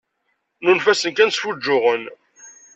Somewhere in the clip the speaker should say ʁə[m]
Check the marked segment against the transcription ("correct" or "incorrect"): incorrect